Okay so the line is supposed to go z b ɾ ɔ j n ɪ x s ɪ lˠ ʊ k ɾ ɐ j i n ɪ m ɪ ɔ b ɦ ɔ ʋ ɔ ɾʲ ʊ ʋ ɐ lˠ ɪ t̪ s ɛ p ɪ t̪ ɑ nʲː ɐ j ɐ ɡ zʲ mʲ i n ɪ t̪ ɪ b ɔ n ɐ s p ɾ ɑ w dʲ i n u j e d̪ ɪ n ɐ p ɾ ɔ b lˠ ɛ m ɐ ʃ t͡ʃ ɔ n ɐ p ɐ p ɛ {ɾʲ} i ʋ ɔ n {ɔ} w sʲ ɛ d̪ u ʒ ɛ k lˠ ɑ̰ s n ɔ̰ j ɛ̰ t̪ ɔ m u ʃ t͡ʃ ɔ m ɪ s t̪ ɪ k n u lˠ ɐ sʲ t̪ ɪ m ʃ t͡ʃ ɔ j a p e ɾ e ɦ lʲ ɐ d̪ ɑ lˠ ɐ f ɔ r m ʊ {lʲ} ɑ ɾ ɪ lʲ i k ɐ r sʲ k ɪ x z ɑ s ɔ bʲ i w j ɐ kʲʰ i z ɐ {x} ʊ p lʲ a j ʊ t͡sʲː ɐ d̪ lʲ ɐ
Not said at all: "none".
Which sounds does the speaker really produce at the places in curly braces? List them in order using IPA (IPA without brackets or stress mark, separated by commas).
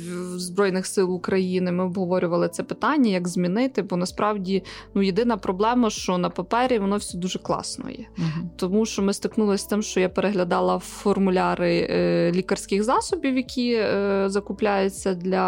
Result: ɾʲ, ɔ, lʲ, k